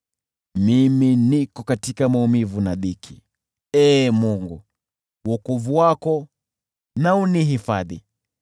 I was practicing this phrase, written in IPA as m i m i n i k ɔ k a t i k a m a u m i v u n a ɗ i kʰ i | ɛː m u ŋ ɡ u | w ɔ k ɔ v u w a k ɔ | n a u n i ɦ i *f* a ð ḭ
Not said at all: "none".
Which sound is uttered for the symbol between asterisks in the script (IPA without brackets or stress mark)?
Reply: f